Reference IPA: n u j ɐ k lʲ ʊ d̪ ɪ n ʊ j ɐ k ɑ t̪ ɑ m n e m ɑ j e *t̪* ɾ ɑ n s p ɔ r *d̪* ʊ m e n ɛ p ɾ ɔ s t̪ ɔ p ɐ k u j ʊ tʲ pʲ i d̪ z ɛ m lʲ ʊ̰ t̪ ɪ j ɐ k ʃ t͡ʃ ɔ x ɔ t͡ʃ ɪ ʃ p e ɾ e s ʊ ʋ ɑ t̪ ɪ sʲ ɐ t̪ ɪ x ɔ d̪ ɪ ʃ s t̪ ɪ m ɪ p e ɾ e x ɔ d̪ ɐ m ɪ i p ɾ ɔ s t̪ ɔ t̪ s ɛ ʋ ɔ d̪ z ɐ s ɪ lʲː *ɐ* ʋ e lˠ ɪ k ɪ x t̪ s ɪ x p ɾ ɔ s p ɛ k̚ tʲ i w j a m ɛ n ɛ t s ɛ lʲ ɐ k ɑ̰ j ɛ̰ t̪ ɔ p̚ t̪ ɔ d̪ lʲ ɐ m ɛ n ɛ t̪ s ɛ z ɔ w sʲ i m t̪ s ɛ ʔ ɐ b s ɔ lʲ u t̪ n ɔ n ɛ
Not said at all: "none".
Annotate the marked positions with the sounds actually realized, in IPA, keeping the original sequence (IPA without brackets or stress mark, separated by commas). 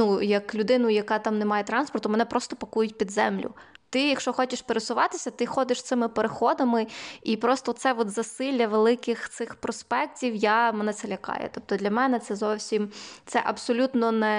t̪, t̪, ɐ